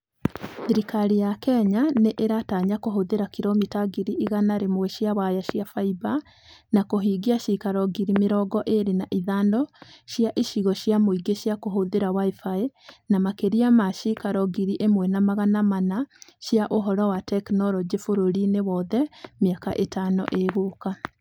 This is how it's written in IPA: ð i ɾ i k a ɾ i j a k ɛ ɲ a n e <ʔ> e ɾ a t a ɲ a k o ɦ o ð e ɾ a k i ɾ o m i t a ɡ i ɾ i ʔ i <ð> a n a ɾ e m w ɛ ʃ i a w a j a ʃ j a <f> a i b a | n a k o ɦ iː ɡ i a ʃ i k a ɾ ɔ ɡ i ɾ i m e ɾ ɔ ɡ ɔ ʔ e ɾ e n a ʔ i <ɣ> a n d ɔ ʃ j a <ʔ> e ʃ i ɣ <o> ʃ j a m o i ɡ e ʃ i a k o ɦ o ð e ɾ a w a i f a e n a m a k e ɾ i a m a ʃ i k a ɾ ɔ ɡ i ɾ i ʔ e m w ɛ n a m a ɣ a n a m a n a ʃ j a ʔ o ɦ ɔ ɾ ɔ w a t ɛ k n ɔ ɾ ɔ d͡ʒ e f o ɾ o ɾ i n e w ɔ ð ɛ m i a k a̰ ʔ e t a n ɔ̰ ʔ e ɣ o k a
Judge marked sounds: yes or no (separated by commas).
yes, no, yes, no, yes, no